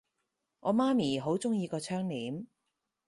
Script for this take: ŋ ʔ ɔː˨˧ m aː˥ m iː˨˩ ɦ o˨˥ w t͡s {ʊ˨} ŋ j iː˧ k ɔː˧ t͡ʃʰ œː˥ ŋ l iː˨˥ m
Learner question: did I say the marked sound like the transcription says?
no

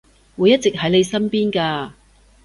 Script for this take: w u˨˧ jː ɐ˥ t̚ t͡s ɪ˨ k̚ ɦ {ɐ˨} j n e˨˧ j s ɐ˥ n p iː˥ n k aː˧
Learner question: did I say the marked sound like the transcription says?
no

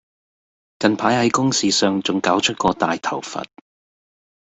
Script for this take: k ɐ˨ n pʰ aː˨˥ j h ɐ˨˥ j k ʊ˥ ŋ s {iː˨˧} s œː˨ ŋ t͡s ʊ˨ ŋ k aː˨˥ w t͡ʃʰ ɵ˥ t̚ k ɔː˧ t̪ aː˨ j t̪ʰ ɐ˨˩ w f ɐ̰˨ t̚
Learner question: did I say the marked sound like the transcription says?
yes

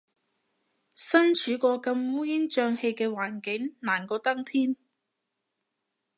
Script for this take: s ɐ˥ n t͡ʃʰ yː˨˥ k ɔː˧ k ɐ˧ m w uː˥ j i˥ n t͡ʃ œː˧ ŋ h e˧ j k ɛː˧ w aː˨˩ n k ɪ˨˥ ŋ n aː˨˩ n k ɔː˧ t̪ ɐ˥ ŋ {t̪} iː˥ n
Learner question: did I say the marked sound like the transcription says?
no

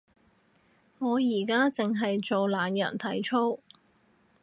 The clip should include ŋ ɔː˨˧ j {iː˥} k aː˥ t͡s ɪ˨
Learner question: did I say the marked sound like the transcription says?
no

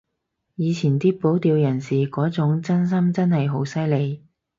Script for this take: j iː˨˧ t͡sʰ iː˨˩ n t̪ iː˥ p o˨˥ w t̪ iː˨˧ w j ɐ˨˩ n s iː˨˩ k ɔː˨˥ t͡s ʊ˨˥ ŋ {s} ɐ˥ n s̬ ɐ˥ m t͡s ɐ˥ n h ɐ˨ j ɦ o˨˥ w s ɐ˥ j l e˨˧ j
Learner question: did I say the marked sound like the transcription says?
no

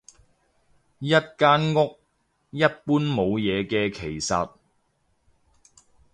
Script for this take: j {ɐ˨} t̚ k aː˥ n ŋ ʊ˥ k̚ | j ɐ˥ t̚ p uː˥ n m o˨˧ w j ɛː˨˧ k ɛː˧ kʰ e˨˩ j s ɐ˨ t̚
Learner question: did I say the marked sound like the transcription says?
no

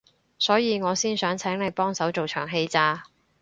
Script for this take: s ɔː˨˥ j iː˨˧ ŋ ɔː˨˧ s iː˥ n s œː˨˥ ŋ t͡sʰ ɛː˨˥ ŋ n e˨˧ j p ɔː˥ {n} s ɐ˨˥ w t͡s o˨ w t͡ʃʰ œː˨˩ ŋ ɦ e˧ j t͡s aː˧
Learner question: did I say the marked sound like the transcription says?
no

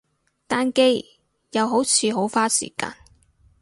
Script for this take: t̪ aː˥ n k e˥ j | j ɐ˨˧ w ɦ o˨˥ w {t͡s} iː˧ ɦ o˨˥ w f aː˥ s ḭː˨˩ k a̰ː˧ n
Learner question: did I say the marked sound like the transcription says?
no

